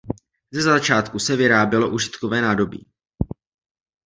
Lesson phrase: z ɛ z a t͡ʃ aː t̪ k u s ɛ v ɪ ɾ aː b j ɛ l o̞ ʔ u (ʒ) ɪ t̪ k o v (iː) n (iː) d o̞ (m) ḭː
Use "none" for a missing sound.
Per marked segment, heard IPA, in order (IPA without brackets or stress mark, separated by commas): ʒ, ɛː, aː, b